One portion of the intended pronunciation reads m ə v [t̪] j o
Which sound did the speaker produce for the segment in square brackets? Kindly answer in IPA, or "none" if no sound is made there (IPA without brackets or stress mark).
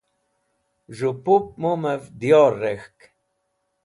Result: d̪